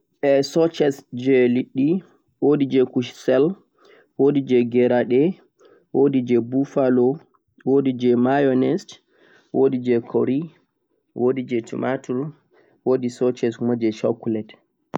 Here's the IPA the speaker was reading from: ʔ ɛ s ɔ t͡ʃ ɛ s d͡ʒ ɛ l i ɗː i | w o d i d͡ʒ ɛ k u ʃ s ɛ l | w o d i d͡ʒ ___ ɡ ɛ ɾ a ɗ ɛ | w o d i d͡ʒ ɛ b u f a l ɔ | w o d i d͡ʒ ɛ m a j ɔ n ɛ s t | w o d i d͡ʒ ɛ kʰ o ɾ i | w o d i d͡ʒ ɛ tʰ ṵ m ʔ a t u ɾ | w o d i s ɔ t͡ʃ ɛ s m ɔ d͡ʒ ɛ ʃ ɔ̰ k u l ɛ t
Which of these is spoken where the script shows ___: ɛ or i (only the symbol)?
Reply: ɛ